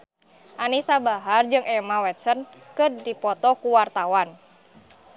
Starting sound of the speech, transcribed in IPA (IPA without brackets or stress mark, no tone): ʔ